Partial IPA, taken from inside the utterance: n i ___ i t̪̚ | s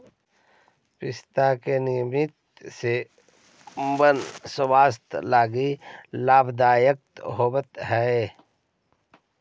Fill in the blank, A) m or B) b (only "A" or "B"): A